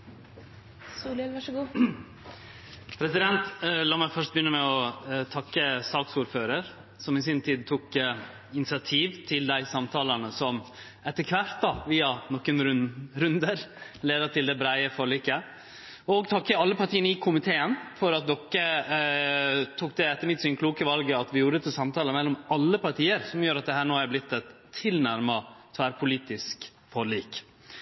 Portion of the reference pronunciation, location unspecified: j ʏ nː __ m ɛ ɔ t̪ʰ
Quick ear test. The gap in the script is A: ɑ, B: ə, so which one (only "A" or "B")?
B